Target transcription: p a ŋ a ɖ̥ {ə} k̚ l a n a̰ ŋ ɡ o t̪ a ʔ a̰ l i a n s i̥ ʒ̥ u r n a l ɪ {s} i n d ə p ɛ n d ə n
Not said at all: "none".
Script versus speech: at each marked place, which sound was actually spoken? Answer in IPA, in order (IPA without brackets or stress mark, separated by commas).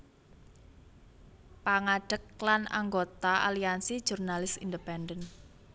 ə, s